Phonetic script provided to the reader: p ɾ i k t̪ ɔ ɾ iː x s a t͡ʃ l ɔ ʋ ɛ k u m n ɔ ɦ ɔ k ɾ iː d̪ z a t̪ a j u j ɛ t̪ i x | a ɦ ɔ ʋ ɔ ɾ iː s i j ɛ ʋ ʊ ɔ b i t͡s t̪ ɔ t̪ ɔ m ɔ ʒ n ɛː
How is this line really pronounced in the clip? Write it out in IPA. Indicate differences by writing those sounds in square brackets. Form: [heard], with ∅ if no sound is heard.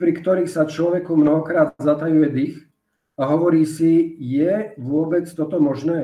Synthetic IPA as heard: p ɾ i k t̪ ɔ ɾ iː x s a t͡ʃ l ɔ ʋ ɛ k u m n ɔ ɦ ɔ k ɾ [aː] d̪ z a t̪ a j u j ɛ [d̪] i x | a ɦ ɔ ʋ ɔ ɾ iː s i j ɛ ʋ ʊ ɔ b [ɛ] t͡s t̪ ɔ t̪ ɔ m ɔ ʒ n ɛː